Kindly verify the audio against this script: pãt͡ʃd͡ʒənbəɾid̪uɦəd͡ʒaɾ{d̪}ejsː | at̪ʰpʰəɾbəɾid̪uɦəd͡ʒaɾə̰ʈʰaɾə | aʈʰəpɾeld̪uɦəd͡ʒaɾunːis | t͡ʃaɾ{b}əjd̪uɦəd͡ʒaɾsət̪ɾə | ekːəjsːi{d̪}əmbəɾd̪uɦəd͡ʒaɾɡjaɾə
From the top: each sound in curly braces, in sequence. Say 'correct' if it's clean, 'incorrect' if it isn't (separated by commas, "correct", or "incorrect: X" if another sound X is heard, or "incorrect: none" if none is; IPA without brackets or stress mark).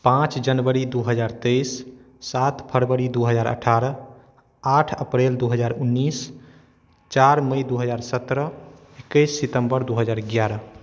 incorrect: t̪, incorrect: m, incorrect: t̪